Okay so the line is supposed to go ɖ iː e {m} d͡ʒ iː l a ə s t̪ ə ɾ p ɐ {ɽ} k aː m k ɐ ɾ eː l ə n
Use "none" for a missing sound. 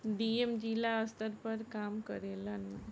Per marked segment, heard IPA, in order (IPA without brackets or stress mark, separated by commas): m, ɾ